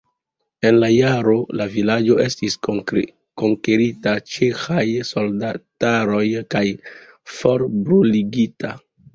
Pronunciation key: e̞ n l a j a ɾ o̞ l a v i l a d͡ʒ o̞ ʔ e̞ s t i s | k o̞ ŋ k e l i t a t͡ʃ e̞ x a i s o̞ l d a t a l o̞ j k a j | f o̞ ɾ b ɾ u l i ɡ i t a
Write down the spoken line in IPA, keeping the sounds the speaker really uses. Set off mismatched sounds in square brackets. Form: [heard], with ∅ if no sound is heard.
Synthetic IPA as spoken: e̞ n l a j a ɾ o̞ l a v i l a d͡ʒ o̞ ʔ e̞ s t i s | k o̞ ŋ k e [ɾ] i t a t͡ʃ e̞ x a [j] s o̞ l d a t a [ɾ] o̞ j k a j | f o̞ ɾ b ɾ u l i ɡ i t a

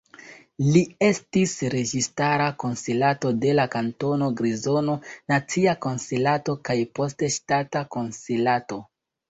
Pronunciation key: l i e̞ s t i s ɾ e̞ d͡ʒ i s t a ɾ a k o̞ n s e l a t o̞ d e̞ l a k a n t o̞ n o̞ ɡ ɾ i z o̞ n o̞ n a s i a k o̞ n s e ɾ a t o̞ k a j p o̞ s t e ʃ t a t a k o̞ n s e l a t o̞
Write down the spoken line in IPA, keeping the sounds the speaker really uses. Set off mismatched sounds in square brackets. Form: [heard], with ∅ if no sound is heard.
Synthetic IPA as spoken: l i e̞ s t i s ɾ e̞ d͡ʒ i s t a ɾ a k o̞ n s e l a t o̞ d e̞ l a k a n t o̞ n o̞ ɡ ɾ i z o̞ n o̞ n a [t͡s] i a k o̞ n s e [l] a t o̞ k a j p o̞ s t e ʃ t a t a k o̞ n s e l a t o̞

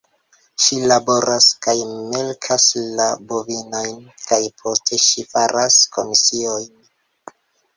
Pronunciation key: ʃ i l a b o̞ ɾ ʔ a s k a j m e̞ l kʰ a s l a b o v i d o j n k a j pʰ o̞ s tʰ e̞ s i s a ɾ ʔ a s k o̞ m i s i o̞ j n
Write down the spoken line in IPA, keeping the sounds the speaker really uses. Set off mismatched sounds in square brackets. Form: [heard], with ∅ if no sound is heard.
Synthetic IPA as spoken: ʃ i l a b o̞ ɾ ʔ a s k a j m e̞ l kʰ a s l a b o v i [n] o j n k a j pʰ o̞ s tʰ e̞ [ʃ] i [f] a ɾ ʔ a s k o̞ m i s i o̞ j n

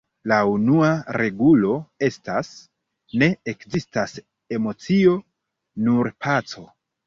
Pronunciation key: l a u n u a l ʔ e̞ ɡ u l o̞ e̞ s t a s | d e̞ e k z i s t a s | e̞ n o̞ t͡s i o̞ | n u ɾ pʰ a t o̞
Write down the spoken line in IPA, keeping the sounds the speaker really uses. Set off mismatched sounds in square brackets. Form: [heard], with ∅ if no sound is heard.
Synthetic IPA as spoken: l a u n u a [ɾ] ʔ e̞ ɡ u l o̞ e̞ s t a s | [n] e̞ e k z i s t a s | e̞ [m] o̞ t͡s i o̞ | n u ɾ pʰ a [t͡s] o̞

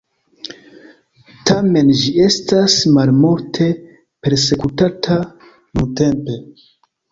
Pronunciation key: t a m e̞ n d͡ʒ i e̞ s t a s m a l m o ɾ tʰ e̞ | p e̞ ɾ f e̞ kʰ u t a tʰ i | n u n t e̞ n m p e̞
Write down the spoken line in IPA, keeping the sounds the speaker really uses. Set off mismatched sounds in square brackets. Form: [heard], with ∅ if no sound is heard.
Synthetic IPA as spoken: t a m e̞ n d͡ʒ i e̞ s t a s m a l m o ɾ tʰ e̞ | p e̞ ɾ [s] e̞ [k] u t a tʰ [a] | n u n t e̞ [∅] m p e̞

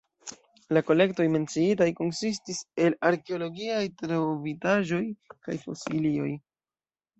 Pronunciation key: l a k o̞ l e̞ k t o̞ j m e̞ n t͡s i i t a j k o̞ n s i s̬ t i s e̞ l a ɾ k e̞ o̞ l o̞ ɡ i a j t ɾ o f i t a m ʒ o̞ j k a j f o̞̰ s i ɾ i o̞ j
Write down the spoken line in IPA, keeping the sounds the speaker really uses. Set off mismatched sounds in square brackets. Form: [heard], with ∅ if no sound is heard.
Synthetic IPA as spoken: l a k o̞ l e̞ k t o̞ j m e̞ n t͡s i i t a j k o̞ n s i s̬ t i s e̞ l a ɾ k e̞ o̞ l o̞ ɡ i a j t ɾ o [v] i t a [∅] ʒ o̞ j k a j f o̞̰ s i [l] i o̞ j

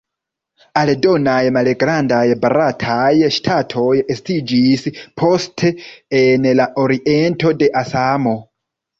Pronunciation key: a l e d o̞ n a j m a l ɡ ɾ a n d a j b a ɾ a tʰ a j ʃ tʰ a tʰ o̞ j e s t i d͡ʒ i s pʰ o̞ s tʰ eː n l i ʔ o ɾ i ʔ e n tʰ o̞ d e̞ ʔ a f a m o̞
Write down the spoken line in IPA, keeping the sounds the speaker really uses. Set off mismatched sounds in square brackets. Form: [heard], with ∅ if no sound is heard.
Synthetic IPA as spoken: a l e d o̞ n a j m a l ɡ ɾ a n d a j b a ɾ a tʰ a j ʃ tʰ a tʰ o̞ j e s t i d͡ʒ i s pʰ o̞ s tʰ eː n l [a] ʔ o ɾ i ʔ e n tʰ o̞ d e̞ ʔ a [s] a m o̞

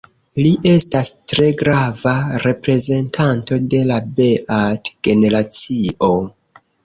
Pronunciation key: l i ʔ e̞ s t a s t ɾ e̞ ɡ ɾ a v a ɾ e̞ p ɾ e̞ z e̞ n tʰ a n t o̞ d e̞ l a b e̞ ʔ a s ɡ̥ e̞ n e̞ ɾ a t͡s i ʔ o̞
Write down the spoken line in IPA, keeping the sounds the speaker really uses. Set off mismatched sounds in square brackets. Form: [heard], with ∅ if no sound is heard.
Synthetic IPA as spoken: l i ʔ e̞ s t a s t ɾ e̞ ɡ ɾ a v a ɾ e̞ p ɾ e̞ z e̞ n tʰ a n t o̞ d e̞ l a b e̞ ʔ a [t] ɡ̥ e̞ n e̞ ɾ a t͡s i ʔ o̞

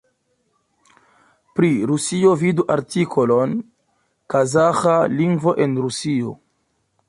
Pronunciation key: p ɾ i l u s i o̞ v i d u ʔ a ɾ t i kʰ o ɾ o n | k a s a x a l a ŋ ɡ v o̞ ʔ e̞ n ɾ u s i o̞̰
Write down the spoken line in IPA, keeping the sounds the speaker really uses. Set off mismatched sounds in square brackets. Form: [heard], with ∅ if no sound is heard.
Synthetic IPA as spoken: p ɾ i [ɾ] u s i o̞ v i d u ʔ a ɾ t i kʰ o [l] o n | k a [z] a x a l [i] ŋ ɡ v o̞ ʔ e̞ n ɾ u s i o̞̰

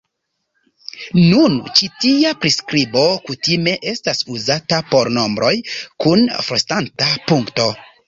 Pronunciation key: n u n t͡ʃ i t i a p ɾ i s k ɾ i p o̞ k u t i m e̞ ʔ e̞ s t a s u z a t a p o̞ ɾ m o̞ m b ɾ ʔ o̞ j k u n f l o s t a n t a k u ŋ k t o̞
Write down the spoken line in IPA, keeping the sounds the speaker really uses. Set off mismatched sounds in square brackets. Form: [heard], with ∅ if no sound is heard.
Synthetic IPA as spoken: n u n t͡ʃ i t i a p ɾ i s k ɾ i [b] o̞ k u t i m e̞ ʔ e̞ s t a s u z a t a p o̞ ɾ [n] o̞ m b ɾ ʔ o̞ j k u n f [ɾ] o s t a n t a [p] u ŋ k t o̞

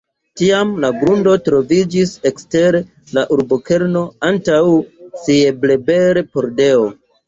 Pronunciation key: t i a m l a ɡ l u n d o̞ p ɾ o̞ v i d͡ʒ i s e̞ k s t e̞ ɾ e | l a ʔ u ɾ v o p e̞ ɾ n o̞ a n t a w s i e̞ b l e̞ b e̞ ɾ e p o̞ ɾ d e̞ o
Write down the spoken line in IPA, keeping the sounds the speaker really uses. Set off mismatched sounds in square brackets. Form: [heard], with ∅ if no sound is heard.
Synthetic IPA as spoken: t i a m l a ɡ [ɾ] u n d o̞ [t] ɾ o̞ v i d͡ʒ i s e̞ k s t e̞ ɾ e | l a ʔ u ɾ [b] o [k] e̞ ɾ n o̞ a n t a w s i e̞ b l e̞ b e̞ ɾ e p o̞ ɾ d e̞ o

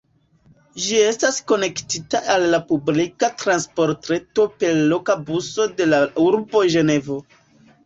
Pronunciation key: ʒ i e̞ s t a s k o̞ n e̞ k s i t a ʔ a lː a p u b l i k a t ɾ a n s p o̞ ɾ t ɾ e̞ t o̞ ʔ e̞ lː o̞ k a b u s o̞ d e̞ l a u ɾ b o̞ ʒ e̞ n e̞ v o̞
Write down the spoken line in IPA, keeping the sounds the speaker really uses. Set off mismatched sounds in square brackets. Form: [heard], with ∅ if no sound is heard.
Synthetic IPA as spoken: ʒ i e̞ s t a s k o̞ n e̞ k [t] i t a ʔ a lː a p u b l i k a t ɾ a n s p o̞ ɾ t ɾ e̞ t o̞ [p] e̞ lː o̞ k a b u s o̞ d e̞ l a u ɾ b o̞ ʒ e̞ n e̞ v o̞

